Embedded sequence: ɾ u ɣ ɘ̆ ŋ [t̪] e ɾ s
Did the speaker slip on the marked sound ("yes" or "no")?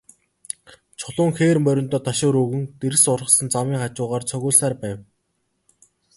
no